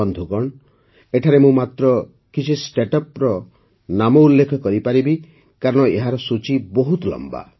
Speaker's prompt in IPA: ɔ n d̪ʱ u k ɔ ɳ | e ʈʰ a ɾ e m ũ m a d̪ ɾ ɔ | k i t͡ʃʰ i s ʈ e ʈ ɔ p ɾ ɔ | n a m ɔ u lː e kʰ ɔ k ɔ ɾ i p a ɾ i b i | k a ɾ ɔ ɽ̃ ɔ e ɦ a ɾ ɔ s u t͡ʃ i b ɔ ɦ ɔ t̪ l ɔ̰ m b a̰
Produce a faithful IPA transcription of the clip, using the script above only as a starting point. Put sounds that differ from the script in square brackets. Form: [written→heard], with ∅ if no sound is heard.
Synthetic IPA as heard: ɔ n d̪ʱ u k ɔ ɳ | e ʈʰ a ɾ e m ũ m a [d̪→t̪] ɾ ɔ | k i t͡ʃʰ i s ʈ e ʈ ɔ p ɾ ɔ | n a m ɔ u lː e kʰ ɔ k ɔ ɾ i p a ɾ i b i | k a ɾ ɔ ɽ̃ ɔ e ɦ a ɾ ɔ s u t͡ʃ i b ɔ ɦ [ɔ→u] t̪ l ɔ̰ m b a̰